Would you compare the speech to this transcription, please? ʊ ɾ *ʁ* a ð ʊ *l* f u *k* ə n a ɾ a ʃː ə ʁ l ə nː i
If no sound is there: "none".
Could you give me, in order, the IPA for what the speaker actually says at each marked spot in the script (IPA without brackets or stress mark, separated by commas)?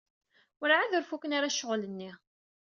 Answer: ʕ, ɾ, k